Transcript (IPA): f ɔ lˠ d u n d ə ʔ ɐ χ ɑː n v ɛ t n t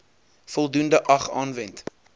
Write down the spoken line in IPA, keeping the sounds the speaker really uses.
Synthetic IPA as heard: f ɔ lˠ d u n d ə ʔ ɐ χ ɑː n v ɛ n t